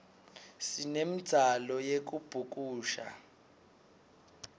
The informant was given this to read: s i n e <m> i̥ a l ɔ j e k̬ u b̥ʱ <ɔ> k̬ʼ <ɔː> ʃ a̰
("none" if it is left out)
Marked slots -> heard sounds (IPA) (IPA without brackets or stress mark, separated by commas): m, u, uː